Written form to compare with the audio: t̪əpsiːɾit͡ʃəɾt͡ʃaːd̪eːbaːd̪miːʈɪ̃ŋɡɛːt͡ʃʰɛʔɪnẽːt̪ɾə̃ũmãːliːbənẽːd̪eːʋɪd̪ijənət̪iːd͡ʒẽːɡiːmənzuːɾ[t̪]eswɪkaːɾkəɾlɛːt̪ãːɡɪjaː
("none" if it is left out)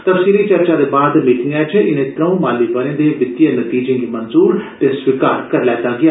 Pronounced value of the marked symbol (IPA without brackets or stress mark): t̪